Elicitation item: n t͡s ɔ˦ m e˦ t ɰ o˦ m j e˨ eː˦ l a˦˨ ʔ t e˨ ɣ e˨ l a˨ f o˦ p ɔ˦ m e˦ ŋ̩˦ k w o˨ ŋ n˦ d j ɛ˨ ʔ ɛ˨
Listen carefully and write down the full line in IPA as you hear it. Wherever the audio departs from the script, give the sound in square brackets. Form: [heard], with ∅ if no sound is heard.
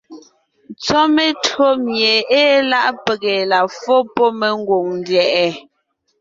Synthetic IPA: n t͡s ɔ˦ m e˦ t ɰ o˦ m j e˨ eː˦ l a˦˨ ʔ [p] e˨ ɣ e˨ l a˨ f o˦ p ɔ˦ m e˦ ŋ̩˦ [ɡ] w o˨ ŋ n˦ d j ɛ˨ ʔ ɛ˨